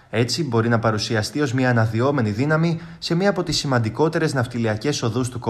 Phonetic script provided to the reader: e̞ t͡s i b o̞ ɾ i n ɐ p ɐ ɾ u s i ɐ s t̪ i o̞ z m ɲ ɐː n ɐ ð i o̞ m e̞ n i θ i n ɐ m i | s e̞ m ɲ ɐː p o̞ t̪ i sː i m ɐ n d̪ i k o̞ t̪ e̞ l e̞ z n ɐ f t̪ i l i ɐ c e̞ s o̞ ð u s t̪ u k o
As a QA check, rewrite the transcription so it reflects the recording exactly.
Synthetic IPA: e̞ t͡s i b o̞ ɾ i n ɐ p ɐ ɾ u s i ɐ s t̪ i o̞ z m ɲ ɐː n ɐ ð i o̞ m e̞ n i ð i n ɐ m i | s e̞ m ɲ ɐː p o̞ t̪ i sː i m ɐ n d̪ i k o̞ t̪ e̞ ɾ e̞ z n ɐ f t̪ i l i ɐ c e̞ s o̞ ð u s t̪ u k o